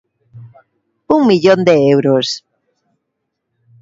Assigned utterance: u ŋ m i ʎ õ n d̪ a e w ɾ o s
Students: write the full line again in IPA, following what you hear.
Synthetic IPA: u ŋ m i ʎ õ n d̪ e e w ɾ o s